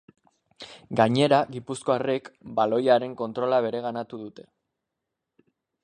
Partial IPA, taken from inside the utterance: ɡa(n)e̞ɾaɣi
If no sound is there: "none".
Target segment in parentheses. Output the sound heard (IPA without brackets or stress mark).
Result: ɲ